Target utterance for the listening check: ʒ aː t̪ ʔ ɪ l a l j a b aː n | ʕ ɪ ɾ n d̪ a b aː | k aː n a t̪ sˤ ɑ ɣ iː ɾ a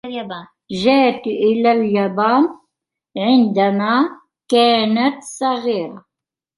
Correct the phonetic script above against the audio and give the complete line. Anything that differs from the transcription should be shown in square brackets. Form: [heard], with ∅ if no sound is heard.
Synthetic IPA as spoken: ʒ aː t̪ ʔ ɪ l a l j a b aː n | ʕ ɪ [∅] n d̪ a [m] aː | k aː n a t̪ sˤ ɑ ɣ iː ɾ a